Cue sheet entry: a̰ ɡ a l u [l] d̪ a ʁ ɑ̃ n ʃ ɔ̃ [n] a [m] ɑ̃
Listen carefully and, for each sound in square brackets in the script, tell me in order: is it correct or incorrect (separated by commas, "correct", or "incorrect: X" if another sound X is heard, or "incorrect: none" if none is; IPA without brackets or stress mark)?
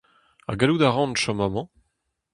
incorrect: none, incorrect: m, correct